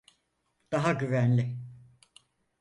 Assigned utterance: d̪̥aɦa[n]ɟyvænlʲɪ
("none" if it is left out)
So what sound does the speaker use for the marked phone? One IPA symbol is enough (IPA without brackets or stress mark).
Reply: none